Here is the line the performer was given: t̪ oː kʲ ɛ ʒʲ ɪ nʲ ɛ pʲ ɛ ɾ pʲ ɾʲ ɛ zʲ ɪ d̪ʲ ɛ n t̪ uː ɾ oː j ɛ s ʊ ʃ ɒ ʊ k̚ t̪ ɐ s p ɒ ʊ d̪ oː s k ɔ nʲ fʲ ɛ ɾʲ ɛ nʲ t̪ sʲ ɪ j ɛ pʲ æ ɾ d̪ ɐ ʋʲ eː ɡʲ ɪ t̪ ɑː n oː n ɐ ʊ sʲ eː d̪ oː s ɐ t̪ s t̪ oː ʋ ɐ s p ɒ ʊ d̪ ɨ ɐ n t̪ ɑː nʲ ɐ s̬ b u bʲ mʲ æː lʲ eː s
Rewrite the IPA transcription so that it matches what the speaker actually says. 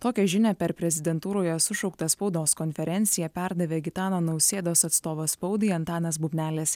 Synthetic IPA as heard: t̪ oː kʲ ɛ ʒʲ ɪ nʲ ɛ pʲ ɛ ɾ pʲ ɾʲ ɛ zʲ ɪ d̪ʲ ɛ n t̪ uː ɾ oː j ɛ s ʊ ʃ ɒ ʊ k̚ t̪ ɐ s p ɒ ʊ d̪ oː s k ɔ nʲ fʲ ɛ ɾʲ ɛ nʲ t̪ sʲ ɪ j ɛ pʲ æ ɾ d̪ ɐ ʋʲ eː ɡʲ ɪ t̪ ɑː n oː n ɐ ʊ sʲ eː d̪ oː s ɐ t̪ s t̪ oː ʋ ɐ s p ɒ ʊ d̪ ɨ ɐ n t̪ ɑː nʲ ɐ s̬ b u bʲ nʲ æː lʲ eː s

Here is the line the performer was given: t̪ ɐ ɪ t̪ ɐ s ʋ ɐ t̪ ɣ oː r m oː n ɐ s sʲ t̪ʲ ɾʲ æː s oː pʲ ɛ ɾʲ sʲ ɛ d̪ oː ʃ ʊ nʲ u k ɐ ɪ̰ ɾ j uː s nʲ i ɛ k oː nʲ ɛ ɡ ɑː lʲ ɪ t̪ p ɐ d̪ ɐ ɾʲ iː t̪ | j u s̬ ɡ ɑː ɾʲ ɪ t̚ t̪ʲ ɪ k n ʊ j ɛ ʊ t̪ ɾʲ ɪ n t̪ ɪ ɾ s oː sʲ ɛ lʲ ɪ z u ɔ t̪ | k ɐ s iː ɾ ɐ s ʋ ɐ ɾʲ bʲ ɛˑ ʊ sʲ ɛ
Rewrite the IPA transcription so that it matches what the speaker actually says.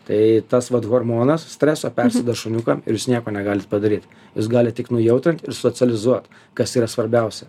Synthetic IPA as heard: t̪ ɐ ɪ t̪ ɐ s ʋ ɐ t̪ ɣ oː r m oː n ɐ s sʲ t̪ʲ ɾʲ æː s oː pʲ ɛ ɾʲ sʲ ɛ d̪ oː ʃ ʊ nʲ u k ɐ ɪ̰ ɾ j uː s nʲ i ɛ k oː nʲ ɛ ɡ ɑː lʲ ɪ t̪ p ɐ d̪ ɐ ɾʲ iː t̪ | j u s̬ ɡ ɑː lʲ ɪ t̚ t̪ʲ ɪ k n ʊ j ɛ ʊ t̪ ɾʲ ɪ n t̪ ɪ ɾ s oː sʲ ɛ lʲ ɪ z u ɔ t̪ | k ɐ s iː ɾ ɐ s ʋ ɐ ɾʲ bʲ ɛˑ ʊ sʲ ɛ

